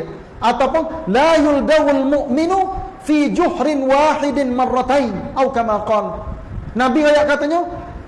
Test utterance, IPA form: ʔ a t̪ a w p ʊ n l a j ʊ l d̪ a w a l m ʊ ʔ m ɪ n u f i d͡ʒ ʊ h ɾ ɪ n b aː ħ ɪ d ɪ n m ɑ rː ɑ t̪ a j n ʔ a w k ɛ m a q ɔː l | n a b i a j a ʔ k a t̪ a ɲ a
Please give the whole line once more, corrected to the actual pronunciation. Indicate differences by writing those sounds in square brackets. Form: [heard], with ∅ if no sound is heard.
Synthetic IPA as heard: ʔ a t̪ a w p ʊ n l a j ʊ l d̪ a w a l m ʊ ʔ m ɪ n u f i d͡ʒ ʊ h ɾ ɪ n [w] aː ħ ɪ d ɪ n m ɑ rː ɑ t̪ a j n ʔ a w k [a] m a q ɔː l | n a b i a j a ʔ k a t̪ a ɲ a